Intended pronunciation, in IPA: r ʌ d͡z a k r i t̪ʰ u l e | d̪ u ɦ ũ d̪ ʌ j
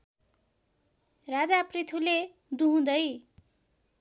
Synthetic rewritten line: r a d͡z a p r i t̪ʰ u l e | d̪ u ɦ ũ d̪ ʌ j